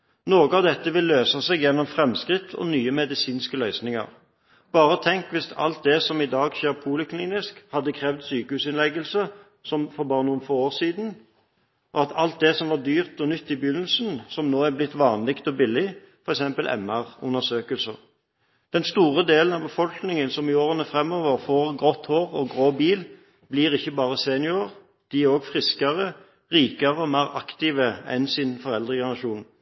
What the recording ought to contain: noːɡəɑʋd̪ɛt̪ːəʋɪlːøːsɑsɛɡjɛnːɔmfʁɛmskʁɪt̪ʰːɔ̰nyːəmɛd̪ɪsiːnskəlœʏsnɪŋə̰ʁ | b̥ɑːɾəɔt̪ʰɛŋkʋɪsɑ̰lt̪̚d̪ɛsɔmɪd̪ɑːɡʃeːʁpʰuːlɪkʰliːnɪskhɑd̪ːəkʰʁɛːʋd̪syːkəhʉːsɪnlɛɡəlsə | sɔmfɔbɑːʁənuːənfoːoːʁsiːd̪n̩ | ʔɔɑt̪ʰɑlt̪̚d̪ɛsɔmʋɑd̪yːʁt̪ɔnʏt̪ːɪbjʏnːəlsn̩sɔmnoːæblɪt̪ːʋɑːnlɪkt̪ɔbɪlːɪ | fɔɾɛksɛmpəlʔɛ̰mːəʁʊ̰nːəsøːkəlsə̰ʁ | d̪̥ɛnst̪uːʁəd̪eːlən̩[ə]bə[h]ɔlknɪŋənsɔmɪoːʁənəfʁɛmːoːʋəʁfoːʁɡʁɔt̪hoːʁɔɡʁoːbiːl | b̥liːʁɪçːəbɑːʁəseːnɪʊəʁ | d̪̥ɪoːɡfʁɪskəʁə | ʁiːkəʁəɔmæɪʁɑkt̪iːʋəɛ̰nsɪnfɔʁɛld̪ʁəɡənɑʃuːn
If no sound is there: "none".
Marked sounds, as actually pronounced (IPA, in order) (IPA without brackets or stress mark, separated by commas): ɑ, f